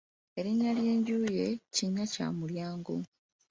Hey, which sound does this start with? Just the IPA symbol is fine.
e̞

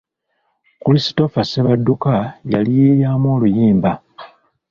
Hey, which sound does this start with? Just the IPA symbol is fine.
k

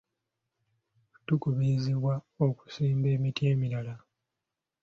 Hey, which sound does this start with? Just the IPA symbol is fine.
t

